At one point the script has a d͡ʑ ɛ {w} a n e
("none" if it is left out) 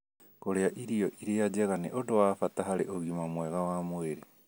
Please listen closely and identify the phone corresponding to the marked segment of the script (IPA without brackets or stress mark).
ɣ